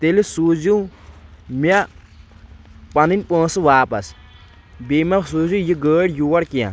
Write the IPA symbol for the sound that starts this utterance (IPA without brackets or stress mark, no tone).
t̪